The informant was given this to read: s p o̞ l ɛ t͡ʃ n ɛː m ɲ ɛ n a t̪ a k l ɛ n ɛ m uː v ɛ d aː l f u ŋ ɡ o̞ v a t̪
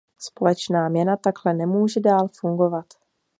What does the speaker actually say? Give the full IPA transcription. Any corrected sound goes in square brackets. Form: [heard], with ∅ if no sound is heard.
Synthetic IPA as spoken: s p o̞ l ɛ t͡ʃ n [aː] m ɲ ɛ n a t̪ a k l ɛ n ɛ m uː [ʒ] ɛ d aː l f u ŋ ɡ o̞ v a t̪